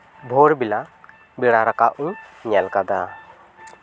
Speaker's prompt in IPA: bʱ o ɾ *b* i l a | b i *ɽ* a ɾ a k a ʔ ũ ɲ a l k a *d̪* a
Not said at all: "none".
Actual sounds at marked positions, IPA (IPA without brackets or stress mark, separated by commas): b, ɽ, d̪